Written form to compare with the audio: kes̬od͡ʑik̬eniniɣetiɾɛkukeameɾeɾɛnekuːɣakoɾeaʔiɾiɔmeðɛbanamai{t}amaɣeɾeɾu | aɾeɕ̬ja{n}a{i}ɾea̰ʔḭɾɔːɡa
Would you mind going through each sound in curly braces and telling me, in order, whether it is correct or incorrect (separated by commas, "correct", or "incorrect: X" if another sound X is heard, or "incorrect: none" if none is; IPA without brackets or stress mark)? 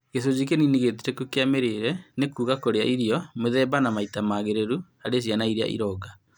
correct, correct, correct